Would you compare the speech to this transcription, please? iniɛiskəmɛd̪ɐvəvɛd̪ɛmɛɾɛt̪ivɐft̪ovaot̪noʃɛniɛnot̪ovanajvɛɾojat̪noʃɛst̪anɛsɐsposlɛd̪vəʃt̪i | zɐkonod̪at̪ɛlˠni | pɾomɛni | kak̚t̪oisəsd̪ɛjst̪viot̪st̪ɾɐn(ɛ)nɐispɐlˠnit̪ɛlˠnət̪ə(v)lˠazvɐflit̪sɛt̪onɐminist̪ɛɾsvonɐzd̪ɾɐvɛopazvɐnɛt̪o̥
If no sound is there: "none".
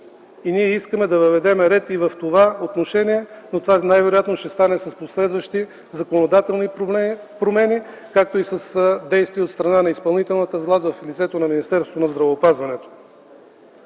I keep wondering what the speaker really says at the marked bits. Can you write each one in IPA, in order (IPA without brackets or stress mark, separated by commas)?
a, v